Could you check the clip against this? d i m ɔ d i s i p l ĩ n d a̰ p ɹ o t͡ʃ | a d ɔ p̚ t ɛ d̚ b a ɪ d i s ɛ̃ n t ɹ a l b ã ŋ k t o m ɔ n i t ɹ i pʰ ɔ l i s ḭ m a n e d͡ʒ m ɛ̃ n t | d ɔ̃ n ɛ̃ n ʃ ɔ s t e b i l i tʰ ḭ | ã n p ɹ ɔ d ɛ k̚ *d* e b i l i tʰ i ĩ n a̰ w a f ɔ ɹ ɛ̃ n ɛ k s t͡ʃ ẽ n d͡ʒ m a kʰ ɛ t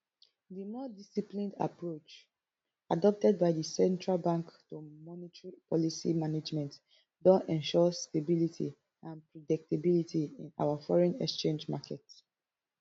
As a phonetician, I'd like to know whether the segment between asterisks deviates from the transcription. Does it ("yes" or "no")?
yes